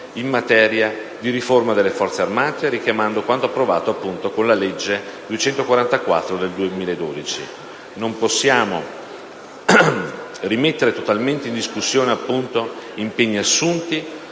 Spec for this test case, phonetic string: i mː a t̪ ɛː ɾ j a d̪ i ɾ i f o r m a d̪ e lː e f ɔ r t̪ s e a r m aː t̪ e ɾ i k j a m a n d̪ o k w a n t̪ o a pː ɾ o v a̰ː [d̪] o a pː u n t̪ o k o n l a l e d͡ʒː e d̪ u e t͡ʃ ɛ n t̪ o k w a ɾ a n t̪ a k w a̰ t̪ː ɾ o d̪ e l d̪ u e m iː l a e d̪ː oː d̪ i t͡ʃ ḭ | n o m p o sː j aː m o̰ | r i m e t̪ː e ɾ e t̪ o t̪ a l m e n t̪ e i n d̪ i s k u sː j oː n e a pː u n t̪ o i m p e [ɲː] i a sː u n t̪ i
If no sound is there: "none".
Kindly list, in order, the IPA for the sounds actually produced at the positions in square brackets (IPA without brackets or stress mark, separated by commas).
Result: t̪, ɲː